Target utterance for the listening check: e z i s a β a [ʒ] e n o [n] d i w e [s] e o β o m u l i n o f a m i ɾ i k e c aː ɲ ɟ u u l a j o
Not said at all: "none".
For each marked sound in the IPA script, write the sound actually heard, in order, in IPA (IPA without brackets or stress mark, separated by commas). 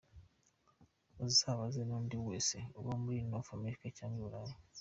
z, n, s